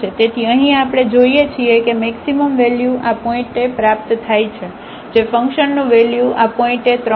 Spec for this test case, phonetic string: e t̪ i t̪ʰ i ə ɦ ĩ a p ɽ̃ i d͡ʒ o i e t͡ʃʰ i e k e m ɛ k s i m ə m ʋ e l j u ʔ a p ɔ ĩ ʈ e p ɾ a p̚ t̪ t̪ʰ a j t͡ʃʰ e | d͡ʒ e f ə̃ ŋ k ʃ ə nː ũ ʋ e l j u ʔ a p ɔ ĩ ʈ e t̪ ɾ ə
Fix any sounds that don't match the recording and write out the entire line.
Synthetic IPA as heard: e t̪ e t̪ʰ i ə ɦ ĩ a p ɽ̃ e d͡ʒ o i e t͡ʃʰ i e k e m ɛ k s i m ə m ʋ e l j u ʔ a p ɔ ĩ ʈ e p ɾ a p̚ t̪ t̪ʰ a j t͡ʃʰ e | d͡ʒ e f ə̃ ŋ k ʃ ə nː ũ ʋ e l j u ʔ a p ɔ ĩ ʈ e t̪ ɾ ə